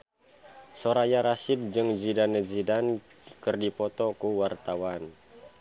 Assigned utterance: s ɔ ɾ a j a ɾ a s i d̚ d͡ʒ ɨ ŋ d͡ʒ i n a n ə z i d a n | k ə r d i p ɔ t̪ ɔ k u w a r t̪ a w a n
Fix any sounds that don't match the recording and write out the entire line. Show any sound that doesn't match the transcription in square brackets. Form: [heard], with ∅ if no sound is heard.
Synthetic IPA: s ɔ ɾ a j a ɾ a s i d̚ d͡ʒ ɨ ŋ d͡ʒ i [d] a n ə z i d a n | k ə r d i p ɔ t̪ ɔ k u w a r t̪ a w a n